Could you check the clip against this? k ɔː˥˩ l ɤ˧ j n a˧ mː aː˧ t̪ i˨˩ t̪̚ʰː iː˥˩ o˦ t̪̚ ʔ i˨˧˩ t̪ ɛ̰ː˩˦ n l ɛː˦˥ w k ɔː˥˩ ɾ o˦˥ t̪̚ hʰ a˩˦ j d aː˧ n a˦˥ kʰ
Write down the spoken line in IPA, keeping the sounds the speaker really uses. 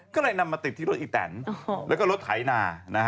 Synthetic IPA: k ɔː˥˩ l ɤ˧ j n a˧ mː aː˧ t̪ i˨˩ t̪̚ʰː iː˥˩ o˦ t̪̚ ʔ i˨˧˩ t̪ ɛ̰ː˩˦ n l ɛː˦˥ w k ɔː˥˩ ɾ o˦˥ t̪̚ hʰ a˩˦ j n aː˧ n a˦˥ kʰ